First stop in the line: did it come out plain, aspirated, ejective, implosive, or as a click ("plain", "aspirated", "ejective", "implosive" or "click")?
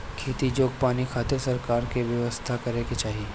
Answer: aspirated